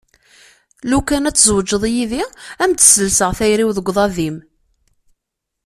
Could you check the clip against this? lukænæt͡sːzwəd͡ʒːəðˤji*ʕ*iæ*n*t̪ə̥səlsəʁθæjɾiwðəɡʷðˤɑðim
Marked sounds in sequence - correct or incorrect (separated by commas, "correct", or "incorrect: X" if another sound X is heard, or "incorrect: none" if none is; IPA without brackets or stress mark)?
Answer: incorrect: ð, incorrect: m